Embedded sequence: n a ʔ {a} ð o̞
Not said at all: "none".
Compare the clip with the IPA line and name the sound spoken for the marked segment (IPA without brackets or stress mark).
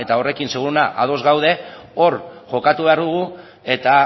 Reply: a